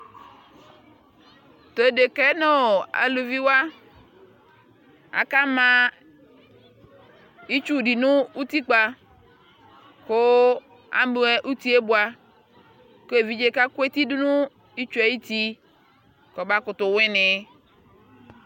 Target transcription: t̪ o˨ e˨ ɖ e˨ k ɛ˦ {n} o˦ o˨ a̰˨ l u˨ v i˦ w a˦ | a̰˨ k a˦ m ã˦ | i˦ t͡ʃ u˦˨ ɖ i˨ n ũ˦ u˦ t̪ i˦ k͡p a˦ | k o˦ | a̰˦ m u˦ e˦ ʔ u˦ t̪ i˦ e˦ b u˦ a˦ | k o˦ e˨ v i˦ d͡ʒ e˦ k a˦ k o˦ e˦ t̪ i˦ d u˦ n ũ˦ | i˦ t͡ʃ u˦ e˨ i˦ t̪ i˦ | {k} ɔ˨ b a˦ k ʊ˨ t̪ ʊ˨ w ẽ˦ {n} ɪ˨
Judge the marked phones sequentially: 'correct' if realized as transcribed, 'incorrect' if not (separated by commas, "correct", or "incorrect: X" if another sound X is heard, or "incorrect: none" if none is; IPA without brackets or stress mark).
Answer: correct, correct, correct